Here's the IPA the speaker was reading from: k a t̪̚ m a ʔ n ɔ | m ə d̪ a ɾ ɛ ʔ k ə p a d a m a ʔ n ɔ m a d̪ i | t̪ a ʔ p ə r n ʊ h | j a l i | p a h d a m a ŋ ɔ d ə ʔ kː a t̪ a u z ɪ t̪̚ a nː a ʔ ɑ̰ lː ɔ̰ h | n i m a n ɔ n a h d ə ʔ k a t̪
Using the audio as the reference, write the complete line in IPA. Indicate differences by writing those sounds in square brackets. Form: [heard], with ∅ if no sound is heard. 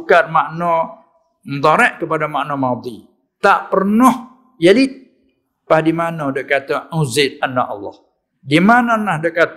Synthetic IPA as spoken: k a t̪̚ m a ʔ n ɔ | m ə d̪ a ɾ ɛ ʔ k ə p a d a m a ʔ n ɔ m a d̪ i | t̪ a ʔ p ə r n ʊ h | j a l i | p a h d [i] m a [n] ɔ d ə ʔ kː a t̪ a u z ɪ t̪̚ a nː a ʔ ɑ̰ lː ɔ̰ h | [d] i m a n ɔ n a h d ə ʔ k a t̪